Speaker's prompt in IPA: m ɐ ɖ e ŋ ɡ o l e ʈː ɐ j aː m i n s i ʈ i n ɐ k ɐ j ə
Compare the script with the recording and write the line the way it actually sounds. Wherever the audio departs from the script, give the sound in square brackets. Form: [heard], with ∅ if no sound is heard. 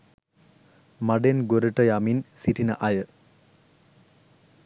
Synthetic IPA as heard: m ɐ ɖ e [n] ɡ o [ɾ] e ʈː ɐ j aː m i n s i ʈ i n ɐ [ʔ] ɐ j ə